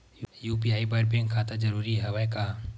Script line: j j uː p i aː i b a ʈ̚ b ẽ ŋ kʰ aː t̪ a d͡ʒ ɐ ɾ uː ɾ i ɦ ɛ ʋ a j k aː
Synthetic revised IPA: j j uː p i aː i b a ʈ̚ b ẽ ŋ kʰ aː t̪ a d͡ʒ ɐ ɾ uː ɾ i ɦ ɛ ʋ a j k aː